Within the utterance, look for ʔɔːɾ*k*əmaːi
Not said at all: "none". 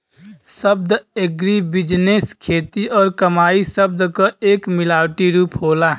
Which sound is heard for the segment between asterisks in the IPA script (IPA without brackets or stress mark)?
k